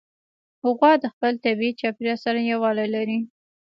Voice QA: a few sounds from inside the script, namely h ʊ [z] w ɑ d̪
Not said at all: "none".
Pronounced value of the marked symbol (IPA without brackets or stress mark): ɣ